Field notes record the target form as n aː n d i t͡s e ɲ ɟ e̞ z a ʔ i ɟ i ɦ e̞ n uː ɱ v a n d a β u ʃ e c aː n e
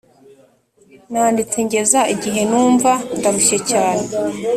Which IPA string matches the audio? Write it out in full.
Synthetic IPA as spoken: n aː n d i t͡s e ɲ ɟ e̞ z a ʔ i ɟ i ɦ e̞ n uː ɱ v a n d a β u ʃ e c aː n e